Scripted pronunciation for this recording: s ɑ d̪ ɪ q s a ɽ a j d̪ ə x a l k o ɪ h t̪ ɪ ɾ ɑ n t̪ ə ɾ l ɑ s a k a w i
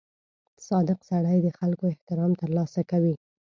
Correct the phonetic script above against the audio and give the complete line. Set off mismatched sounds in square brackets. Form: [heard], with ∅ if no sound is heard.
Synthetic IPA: s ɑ d̪ ɪ q s a ɽ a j d̪ ə x a l k o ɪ h t̪ ɪ ɾ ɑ [m] t̪ ə ɾ l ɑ s a k a w i